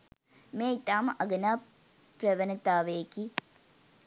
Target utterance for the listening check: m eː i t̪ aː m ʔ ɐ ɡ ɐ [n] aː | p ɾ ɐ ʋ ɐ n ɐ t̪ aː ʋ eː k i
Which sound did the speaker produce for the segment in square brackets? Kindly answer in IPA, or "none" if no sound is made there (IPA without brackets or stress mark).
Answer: n